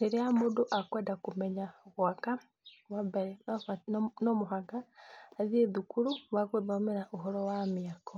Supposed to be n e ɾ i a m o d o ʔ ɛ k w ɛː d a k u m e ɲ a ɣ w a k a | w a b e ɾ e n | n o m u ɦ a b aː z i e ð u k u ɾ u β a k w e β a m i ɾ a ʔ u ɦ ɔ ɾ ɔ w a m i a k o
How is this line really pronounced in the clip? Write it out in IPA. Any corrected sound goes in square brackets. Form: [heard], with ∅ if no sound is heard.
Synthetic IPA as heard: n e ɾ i a m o d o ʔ [a] k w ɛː d a k u m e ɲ a ɣ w a k a | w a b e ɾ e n | n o m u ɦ a [ɡ] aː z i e ð u k u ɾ u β a k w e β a m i ɾ a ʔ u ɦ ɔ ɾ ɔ w a m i a k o

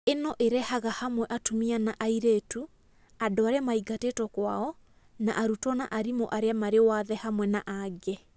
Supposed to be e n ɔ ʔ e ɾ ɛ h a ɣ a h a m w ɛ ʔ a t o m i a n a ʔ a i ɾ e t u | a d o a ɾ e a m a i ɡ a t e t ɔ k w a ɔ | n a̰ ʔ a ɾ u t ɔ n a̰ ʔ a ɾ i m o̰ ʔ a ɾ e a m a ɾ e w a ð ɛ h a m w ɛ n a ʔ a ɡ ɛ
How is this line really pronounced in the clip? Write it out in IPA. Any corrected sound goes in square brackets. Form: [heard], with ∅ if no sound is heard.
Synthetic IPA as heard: e n ɔ ʔ e ɾ ɛ h a ɣ a h a m w ɛ ʔ a t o m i a n a ʔ a i ɾ e t u | a d o a ɾ e a m a i ɡ a t e t ɔ k w a ɔ | n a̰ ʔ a ɾ u t ɔ n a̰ ʔ a ɾ i m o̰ ʔ a ɾ e a m a ɾ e w a ð ɛ h a m w ɛ n a ʔ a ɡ ɛ

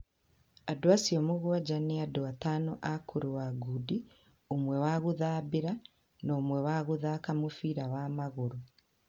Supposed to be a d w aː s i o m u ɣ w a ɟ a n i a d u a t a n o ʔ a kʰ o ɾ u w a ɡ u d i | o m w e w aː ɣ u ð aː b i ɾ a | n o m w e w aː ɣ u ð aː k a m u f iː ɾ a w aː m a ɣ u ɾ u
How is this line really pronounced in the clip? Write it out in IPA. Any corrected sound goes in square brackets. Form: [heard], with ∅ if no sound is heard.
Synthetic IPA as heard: a d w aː s i o m u ɣ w a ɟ a n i a d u a t a n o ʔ a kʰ [u] ɾ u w a ɡ u d i | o m w e w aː ɣ u ð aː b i ɾ a | n o m w e w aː ɣ u ð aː k a m u f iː ɾ a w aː m a ɣ u ɾ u

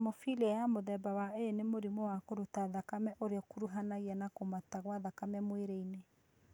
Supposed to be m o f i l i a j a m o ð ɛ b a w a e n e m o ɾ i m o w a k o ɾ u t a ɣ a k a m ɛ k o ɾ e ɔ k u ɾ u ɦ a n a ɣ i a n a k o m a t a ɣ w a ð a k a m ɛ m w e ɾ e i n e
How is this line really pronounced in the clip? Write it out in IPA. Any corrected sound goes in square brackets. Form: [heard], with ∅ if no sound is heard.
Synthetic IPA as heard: m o f i l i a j a m o ð ɛ b a w a e n e m o ɾ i m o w a k o ɾ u t a [ð] a k a m ɛ [ʔ] o ɾ e ɔ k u ɾ u ɦ a n a ɣ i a n a k o m a t a ɣ w a ð a k a m ɛ m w e ɾ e i n e

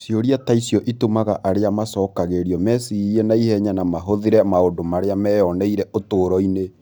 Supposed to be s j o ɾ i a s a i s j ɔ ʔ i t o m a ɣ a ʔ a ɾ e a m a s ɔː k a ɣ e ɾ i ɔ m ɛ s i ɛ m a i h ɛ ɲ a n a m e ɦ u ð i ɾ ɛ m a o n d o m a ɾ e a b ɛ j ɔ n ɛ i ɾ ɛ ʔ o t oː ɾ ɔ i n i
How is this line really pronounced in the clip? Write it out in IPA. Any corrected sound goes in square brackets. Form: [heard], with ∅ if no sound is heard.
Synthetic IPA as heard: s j o ɾ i a [t] a i s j ɔ ʔ i t o m a ɣ a ʔ a ɾ e a m a s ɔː k a ɣ e ɾ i ɔ m ɛ s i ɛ [n] a i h ɛ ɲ a n a m [a] ɦ [o] ð i ɾ ɛ m a o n d o m a ɾ e a [m] ɛ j ɔ n ɛ i ɾ ɛ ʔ o t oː ɾ ɔ i n [e]

